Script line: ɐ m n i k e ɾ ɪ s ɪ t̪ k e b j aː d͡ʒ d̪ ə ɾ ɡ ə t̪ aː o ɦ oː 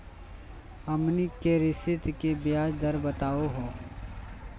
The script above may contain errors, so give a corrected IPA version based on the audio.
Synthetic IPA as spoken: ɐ m n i k e ɾ ɪ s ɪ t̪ k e b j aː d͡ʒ d̪ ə ɾ b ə t̪ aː o ɦ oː